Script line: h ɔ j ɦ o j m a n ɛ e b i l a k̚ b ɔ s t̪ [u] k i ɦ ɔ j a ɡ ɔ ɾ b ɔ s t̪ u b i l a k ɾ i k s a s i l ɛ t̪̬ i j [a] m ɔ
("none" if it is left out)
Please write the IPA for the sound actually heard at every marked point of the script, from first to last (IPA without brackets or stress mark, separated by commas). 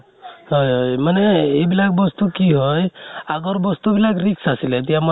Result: u, a